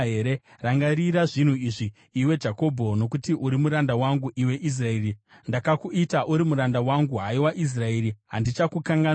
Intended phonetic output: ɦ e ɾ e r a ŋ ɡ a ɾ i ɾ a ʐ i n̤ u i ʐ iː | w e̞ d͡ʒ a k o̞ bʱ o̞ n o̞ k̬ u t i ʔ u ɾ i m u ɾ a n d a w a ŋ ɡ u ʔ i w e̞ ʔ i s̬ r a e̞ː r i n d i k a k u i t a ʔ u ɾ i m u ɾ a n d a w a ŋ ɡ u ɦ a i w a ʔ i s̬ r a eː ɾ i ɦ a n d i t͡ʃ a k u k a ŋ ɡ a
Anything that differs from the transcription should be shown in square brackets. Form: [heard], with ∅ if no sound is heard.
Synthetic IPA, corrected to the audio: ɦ e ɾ e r a ŋ ɡ a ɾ i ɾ a ʐ i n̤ u i ʐ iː | w e̞ d͡ʒ a k o̞ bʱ o̞ n o̞ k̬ u t i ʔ u ɾ i m u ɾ a n d a w a ŋ ɡ u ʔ i w e̞ ʔ i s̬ r a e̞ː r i n d [a] k a k u i t a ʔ u ɾ i m u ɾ a n d a w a ŋ ɡ u ɦ a i w a ʔ i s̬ r a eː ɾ i ɦ a n d i t͡ʃ a k u k a ŋ ɡ a